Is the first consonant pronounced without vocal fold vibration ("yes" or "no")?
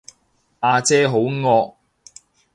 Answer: yes